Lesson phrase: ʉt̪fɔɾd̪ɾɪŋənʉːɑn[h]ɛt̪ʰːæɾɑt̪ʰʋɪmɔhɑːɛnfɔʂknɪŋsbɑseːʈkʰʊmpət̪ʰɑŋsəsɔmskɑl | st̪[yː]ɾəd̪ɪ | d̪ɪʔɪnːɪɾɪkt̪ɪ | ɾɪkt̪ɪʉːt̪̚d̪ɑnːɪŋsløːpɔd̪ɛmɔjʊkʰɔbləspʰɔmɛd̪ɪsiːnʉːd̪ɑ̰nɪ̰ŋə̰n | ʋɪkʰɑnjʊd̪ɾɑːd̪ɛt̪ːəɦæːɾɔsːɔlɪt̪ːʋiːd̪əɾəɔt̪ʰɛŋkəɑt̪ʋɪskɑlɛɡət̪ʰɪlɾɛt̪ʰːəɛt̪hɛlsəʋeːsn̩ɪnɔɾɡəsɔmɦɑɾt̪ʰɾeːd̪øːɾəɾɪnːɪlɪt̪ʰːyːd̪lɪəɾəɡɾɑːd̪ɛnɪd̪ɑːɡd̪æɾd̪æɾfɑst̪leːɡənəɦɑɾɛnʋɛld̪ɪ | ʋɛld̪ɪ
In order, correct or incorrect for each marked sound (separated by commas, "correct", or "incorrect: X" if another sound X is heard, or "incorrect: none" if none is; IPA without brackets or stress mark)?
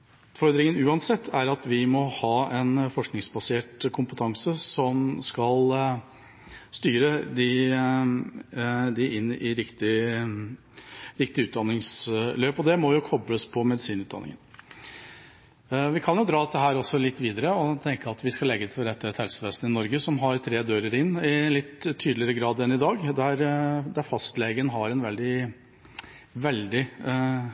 incorrect: s, correct